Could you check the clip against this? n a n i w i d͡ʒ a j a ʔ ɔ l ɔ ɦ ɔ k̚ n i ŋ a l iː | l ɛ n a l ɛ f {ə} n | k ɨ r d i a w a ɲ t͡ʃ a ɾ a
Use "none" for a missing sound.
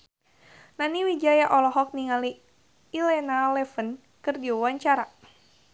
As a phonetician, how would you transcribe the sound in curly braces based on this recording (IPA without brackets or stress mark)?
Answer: ə